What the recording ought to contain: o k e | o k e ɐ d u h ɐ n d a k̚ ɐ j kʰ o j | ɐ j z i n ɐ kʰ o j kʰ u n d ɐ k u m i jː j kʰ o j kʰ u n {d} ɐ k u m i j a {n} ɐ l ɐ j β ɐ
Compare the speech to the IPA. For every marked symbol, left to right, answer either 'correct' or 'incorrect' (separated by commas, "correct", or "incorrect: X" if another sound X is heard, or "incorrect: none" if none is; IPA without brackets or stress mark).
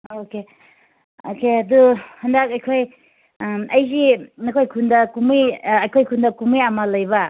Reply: correct, incorrect: m